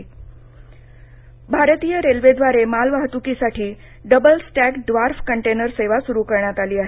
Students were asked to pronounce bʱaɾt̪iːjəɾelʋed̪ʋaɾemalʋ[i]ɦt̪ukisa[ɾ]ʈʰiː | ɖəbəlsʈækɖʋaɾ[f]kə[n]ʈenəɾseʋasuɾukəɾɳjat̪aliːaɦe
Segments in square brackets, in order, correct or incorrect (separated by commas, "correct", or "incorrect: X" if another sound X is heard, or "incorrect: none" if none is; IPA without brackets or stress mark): incorrect: a, incorrect: none, correct, incorrect: ɳ